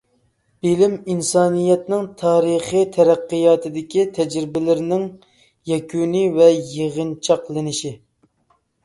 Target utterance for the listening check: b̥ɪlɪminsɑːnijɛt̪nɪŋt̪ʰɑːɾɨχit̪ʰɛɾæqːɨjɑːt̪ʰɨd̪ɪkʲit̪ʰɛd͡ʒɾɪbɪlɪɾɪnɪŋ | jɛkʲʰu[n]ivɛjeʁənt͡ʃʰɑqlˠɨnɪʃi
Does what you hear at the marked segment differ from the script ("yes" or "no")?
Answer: no